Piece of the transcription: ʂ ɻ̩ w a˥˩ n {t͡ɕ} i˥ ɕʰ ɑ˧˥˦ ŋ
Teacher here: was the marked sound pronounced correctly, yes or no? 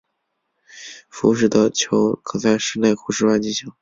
yes